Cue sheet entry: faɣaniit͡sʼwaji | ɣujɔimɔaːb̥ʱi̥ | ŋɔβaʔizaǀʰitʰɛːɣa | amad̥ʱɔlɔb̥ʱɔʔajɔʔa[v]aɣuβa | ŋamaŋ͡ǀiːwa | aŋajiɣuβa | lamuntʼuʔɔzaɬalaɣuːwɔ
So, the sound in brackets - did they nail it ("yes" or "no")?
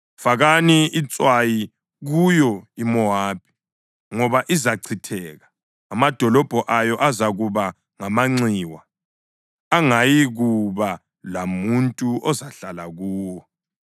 no